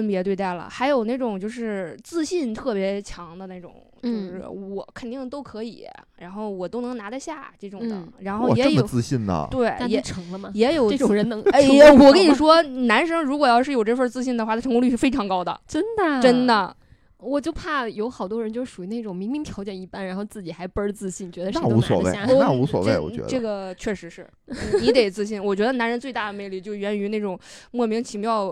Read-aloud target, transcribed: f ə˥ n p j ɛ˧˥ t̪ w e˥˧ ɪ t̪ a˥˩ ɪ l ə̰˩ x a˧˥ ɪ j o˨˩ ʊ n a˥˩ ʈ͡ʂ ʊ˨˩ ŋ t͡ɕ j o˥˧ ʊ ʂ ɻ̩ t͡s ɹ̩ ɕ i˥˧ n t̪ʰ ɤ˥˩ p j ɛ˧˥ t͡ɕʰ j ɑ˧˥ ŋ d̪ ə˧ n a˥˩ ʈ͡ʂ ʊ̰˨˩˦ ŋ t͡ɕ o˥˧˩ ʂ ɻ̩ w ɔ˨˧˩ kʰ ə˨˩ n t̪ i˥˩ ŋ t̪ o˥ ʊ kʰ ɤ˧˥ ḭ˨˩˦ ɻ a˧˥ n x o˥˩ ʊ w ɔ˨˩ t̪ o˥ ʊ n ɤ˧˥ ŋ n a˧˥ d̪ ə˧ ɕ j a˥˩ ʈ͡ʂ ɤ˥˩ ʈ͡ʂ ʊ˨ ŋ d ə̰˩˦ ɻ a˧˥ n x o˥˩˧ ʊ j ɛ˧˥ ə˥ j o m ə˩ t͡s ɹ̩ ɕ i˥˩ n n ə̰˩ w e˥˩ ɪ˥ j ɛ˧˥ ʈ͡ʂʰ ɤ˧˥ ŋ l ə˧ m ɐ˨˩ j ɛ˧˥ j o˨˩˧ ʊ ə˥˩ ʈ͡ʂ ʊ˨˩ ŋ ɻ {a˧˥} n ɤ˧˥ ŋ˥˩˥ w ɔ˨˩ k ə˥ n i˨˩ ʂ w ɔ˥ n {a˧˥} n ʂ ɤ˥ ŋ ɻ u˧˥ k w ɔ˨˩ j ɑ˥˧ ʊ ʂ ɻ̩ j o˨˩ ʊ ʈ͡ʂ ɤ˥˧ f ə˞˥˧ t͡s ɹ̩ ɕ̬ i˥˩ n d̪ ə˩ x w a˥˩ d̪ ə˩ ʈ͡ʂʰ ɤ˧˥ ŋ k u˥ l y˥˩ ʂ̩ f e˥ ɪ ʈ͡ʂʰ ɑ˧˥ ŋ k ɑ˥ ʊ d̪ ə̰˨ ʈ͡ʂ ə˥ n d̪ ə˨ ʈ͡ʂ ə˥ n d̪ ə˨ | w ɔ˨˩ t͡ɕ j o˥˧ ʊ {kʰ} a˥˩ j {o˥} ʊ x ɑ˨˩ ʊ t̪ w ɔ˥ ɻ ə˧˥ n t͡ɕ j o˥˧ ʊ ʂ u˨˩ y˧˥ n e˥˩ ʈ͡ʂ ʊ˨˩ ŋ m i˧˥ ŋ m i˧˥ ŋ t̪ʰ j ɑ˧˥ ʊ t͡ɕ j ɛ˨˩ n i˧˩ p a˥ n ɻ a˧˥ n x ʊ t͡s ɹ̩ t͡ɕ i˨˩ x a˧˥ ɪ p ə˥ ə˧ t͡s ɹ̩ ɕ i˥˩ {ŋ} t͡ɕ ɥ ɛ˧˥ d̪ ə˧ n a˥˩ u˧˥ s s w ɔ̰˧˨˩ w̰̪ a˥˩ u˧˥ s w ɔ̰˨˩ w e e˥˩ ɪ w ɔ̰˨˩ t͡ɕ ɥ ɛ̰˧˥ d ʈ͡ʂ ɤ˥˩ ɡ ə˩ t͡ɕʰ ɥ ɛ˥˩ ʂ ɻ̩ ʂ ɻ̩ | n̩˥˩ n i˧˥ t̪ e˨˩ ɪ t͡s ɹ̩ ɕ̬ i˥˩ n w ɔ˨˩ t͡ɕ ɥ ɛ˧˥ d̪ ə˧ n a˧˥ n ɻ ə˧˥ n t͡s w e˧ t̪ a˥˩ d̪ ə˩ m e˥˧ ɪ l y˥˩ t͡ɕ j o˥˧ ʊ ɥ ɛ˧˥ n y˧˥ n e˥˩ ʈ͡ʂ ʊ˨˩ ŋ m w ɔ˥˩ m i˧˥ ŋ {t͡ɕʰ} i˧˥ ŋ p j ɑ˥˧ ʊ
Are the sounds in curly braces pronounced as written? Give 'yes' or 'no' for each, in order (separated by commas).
no, yes, no, no, no, yes